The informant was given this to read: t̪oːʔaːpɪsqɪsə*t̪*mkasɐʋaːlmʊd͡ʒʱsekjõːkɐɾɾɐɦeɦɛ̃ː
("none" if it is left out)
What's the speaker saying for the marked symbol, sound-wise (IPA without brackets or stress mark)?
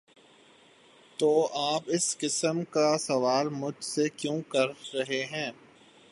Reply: none